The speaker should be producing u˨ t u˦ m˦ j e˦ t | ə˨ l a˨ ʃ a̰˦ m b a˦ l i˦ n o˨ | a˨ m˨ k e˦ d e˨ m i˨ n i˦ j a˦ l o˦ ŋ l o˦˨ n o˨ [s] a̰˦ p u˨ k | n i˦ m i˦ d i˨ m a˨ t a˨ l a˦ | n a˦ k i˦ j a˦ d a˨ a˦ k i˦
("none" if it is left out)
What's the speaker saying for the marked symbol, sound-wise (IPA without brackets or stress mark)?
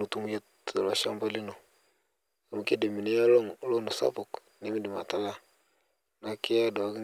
s